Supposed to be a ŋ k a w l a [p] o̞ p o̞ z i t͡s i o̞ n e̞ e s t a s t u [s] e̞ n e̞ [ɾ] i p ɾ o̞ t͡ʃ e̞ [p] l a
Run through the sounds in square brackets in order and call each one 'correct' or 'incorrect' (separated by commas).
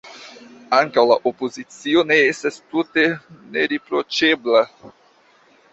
incorrect, incorrect, correct, incorrect